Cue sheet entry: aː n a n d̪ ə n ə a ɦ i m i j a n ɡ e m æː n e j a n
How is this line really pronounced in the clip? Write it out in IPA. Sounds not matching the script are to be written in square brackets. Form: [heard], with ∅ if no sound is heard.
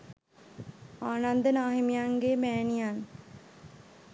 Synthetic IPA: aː n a n d̪ ə n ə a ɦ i m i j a [ŋ] ɡ e m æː n [i] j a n